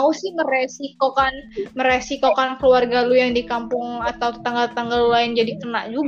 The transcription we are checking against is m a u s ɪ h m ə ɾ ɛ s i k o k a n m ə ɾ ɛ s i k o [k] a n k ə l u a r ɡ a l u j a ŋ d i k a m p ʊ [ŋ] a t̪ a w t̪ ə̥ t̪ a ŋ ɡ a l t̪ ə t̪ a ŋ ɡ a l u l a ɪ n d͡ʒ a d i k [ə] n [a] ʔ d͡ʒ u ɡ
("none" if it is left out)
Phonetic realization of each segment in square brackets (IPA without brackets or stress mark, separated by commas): k, ŋ, ə, a